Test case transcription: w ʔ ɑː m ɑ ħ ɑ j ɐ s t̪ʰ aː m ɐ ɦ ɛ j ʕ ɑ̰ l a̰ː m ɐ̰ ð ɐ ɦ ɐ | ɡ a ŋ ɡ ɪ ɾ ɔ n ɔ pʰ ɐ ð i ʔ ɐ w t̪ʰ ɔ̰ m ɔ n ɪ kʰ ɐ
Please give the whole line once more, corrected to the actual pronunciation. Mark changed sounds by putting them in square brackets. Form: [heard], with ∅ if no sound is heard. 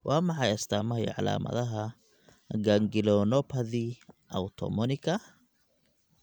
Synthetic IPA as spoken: w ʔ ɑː m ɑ ħ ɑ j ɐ s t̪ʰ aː m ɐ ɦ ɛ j ʕ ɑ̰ l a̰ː m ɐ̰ ð ɐ ɦ ɐ | ɡ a ŋ ɡ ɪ [l] ɔ n ɔ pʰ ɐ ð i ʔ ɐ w t̪ʰ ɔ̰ m ɔ n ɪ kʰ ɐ